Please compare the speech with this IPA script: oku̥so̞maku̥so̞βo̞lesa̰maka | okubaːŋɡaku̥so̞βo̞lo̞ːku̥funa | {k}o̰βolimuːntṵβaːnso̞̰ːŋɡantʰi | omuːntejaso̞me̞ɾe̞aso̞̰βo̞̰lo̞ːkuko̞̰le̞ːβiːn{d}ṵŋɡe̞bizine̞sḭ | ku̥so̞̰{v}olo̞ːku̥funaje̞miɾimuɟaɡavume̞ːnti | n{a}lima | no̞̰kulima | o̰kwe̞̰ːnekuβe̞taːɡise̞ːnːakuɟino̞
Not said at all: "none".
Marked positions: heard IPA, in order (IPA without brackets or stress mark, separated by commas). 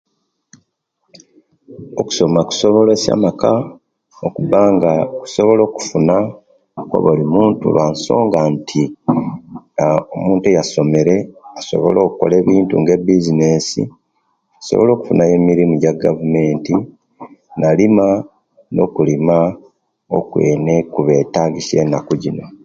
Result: k, t, β, a